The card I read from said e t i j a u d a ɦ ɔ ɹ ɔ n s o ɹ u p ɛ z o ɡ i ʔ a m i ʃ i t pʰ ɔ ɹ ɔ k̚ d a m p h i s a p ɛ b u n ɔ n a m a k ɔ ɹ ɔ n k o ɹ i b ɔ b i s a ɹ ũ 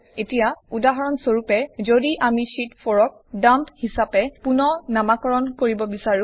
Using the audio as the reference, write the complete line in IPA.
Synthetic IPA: e t i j a u d a ɦ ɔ ɹ ɔ n s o ɹ u p ɛ z o d i ʔ a m i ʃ i t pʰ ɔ ɹ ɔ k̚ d a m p h i s a p ɛ p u n ɔ n a m a k ɔ ɹ ɔ n k o ɹ i b ɔ b i s a ɹ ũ